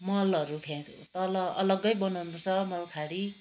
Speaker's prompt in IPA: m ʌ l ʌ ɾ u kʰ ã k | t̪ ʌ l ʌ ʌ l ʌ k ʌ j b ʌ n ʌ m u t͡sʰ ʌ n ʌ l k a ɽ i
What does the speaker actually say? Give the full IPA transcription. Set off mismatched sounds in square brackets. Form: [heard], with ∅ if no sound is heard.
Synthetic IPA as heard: m ʌ l ʌ ɾ u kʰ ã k | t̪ ʌ l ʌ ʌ l ʌ [ɡ] ʌ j b ʌ n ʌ [n] u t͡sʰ ʌ [m] ʌ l [kʰ] a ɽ i